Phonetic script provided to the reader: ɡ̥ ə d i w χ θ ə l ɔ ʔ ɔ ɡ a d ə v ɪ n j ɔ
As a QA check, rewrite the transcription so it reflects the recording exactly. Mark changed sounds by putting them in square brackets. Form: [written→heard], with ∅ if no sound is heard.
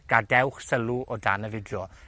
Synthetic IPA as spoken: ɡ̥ [ə→a] d [i→ɛ] w χ [θ→s] ə l [ɔ→u] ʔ ɔ [ɡ→d] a [d→n] ə v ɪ [n→d] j ɔ